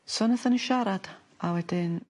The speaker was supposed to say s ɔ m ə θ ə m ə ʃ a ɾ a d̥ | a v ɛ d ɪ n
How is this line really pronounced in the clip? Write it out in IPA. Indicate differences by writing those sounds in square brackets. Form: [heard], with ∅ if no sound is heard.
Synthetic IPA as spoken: s ɔ [n] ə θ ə [n] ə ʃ a ɾ a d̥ | a [w] ɛ d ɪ n